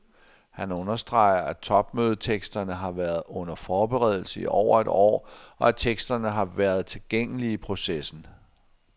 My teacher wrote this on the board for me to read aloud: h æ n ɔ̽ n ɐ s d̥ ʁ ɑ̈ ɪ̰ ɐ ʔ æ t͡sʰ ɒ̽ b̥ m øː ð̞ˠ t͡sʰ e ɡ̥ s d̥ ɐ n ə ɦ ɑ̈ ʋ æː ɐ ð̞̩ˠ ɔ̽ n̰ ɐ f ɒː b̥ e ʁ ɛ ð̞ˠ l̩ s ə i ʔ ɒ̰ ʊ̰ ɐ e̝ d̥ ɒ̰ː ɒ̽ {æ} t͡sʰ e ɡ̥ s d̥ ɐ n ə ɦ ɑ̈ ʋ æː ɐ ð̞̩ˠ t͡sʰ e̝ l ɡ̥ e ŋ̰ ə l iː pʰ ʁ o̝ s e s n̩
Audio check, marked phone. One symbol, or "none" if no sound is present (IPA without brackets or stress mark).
æ